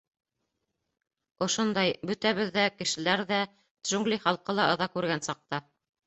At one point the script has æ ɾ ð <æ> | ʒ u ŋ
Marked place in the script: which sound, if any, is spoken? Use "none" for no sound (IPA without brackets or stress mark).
æ